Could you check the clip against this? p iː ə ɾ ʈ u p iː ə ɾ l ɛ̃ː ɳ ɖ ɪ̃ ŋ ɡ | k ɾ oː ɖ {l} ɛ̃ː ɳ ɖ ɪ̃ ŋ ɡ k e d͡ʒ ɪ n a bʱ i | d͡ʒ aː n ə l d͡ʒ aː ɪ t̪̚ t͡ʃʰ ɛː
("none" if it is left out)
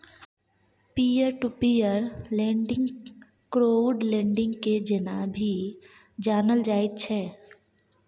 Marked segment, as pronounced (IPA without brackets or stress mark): l